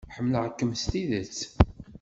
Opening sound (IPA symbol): ħ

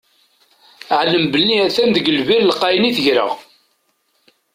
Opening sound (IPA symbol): ʕ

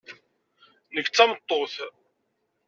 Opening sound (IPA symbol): n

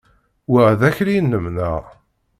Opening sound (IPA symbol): w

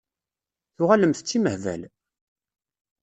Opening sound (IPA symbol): θ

